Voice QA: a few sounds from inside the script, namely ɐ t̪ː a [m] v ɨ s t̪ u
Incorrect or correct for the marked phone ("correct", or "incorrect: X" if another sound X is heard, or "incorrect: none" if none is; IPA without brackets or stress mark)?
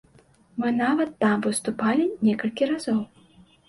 correct